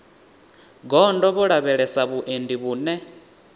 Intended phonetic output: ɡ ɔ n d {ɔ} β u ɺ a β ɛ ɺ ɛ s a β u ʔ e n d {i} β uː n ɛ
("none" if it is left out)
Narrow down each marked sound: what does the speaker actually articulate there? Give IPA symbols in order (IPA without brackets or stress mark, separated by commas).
ɔ, i